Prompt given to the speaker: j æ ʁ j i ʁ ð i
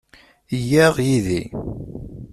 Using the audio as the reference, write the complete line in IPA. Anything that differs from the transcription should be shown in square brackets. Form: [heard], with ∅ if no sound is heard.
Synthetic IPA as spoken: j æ ʁ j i [∅] ð i